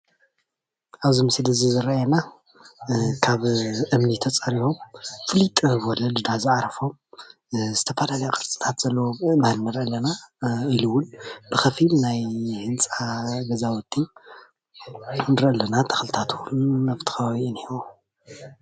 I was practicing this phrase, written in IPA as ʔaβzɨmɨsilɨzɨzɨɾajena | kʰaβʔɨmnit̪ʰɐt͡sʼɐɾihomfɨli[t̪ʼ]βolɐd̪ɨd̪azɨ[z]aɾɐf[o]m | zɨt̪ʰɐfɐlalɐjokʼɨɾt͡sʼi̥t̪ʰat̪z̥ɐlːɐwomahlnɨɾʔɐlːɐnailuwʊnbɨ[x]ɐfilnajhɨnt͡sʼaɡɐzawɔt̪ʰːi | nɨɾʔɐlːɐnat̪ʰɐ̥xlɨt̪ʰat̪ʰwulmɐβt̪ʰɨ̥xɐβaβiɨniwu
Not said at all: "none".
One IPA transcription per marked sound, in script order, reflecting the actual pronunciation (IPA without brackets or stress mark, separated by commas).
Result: t̪ʼ, ʕ, o, x